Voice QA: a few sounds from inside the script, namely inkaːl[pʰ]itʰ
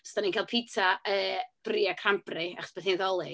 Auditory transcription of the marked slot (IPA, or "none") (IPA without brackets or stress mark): pʰ